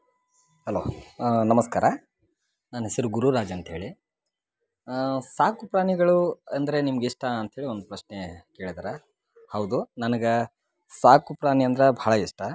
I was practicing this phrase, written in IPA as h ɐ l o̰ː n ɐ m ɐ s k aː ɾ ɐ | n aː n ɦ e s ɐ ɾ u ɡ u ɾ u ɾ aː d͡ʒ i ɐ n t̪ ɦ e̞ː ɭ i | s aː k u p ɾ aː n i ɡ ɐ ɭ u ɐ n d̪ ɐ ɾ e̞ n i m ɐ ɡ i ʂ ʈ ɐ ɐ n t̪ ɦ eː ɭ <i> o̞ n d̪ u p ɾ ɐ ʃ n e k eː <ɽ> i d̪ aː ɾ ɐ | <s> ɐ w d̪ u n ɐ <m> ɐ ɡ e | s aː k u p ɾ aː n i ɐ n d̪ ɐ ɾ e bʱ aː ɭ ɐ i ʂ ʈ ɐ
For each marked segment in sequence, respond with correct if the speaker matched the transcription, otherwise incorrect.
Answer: correct, incorrect: ɭ, incorrect: h, incorrect: n

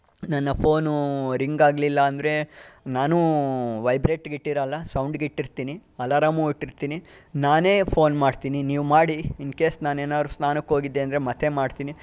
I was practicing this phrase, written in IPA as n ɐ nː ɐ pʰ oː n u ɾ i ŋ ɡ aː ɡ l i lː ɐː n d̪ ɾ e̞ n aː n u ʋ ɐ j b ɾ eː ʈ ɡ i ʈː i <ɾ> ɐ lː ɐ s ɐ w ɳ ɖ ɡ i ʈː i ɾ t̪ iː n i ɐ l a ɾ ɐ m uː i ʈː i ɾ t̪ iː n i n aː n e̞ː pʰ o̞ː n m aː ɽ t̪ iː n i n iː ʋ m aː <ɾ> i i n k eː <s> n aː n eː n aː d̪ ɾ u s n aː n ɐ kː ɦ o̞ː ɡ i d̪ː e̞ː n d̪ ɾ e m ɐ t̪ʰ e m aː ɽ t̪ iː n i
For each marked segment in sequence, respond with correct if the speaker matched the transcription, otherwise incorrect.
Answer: correct, incorrect: ɽ, correct

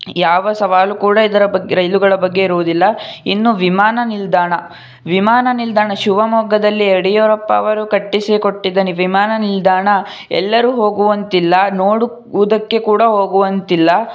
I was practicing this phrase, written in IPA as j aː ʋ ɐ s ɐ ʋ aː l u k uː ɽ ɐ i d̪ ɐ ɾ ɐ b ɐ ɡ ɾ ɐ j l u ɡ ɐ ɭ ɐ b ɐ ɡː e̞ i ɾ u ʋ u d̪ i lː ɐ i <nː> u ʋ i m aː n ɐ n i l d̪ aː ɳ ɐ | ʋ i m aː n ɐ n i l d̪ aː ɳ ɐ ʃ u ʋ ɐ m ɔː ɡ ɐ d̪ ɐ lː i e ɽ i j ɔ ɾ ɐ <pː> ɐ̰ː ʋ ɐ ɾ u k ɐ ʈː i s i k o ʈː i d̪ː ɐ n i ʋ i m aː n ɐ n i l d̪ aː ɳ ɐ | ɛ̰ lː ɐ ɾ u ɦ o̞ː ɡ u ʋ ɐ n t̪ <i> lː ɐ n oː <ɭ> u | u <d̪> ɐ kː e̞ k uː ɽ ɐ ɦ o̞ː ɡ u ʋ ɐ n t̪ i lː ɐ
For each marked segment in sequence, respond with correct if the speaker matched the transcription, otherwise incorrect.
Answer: correct, correct, correct, incorrect: ɽ, correct

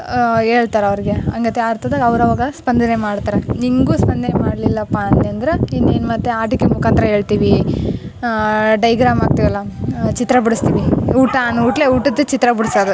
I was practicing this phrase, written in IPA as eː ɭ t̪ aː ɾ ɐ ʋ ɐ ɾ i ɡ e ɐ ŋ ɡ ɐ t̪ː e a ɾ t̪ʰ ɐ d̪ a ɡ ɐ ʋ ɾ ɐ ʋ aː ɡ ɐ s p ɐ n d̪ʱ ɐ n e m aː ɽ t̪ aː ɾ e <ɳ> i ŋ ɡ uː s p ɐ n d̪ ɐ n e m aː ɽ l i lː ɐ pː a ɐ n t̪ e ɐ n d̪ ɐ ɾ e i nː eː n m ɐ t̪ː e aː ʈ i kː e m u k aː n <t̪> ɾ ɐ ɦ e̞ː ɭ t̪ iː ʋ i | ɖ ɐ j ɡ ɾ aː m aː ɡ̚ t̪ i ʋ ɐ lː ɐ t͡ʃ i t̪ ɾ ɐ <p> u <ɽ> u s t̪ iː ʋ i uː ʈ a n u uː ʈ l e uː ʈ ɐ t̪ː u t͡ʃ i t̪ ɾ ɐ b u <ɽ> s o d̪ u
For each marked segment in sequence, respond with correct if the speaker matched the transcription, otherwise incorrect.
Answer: incorrect: n, correct, incorrect: b, correct, correct

